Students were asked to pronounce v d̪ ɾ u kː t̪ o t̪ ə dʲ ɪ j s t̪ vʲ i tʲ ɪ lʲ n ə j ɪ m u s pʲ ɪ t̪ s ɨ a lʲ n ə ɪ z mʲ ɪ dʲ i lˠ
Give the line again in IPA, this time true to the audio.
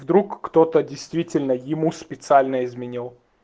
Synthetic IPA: v d̪ ɾ u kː t̪ o t̪ ə dʲ ɪ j s t̪ vʲ i tʲ ɪ lʲ n ə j ɪ m u s pʲ ɪ t̪ s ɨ a lʲ n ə ɪ z mʲ ɪ nʲ i lˠ